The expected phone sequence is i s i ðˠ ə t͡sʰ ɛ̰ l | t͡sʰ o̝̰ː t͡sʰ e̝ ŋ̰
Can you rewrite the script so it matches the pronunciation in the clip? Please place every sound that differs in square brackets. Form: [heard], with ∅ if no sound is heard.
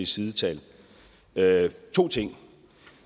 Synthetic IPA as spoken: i s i ðˠ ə t͡sʰ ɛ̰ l | t͡sʰ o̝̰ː t͡sʰ e̝ ŋ̰